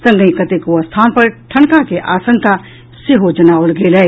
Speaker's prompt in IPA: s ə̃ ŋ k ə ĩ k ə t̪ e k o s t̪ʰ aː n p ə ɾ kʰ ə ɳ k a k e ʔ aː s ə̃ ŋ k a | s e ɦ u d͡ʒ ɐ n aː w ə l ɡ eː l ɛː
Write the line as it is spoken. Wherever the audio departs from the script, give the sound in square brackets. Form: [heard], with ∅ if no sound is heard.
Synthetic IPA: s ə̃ ŋ [ɡ] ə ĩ k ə t̪ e k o s t̪ʰ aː n p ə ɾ [ʈʰ] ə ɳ k a k e ʔ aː s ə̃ ŋ k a | s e ɦ [o] d͡ʒ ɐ n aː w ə l ɡ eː l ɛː